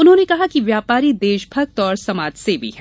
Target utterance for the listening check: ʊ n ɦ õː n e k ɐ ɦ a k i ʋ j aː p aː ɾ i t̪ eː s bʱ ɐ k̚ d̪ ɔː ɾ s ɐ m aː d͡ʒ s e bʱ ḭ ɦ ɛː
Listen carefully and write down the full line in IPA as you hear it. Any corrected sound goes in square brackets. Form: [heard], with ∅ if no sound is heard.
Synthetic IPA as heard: ʊ n ɦ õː n e k ɐ ɦ a k i ʋ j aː p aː ɾ i [d̪] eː [ʃ] bʱ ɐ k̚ [t̪] ɔː ɾ s ɐ m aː d͡ʒ s e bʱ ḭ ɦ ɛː